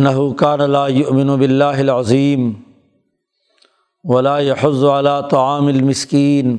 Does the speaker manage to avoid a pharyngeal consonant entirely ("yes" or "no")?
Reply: no